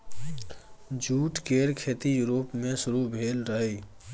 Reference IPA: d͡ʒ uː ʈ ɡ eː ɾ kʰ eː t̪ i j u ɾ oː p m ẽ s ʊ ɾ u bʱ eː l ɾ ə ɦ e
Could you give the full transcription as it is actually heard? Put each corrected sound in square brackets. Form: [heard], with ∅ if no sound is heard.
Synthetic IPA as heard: d͡ʒ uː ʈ [k] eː ɾ kʰ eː t̪ i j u ɾ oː p m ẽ s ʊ ɾ u bʱ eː l ɾ ə ɦ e